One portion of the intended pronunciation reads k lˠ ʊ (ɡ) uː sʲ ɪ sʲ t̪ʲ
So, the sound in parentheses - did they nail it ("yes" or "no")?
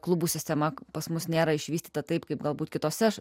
no